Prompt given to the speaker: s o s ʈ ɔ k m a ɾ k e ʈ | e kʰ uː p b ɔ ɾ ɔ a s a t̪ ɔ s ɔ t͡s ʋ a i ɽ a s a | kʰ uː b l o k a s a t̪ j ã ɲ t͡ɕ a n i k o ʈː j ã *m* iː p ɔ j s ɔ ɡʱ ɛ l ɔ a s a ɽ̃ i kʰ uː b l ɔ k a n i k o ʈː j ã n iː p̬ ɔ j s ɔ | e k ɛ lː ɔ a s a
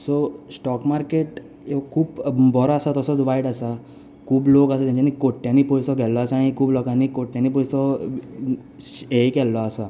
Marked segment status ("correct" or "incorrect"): incorrect